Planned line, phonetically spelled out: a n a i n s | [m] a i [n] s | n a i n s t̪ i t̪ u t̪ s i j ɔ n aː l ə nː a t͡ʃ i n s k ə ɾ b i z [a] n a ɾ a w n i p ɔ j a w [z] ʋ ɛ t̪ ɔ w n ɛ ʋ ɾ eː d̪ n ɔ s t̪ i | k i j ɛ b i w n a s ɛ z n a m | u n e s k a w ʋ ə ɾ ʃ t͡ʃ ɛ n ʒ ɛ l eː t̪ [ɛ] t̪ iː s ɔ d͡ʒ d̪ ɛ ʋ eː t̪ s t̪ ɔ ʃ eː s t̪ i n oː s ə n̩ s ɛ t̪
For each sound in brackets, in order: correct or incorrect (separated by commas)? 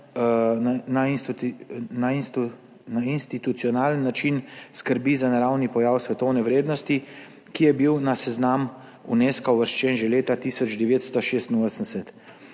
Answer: incorrect, correct, correct, incorrect, incorrect